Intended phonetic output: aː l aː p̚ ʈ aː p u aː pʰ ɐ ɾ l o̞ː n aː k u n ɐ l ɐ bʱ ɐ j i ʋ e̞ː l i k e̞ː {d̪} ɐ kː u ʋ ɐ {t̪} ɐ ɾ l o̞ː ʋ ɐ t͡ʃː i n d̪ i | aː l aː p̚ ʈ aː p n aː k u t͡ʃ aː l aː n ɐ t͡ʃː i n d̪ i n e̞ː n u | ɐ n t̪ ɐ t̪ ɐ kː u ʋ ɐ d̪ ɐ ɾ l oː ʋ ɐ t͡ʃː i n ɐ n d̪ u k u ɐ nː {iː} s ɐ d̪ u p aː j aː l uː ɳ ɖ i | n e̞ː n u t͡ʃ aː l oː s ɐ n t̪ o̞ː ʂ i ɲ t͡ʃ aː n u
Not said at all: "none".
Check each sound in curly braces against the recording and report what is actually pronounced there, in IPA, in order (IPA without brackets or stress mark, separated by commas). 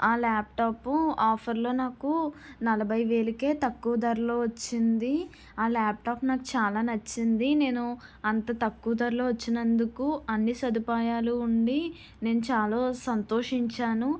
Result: t̪, d̪, i